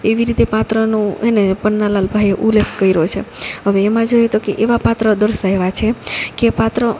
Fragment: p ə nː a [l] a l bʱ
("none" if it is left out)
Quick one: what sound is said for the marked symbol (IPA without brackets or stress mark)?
l